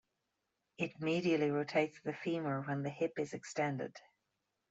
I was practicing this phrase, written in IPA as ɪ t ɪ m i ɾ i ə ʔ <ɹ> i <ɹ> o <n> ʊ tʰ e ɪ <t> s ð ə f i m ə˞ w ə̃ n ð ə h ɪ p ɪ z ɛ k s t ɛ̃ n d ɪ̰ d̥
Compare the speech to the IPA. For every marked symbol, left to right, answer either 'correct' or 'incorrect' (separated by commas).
incorrect, correct, incorrect, correct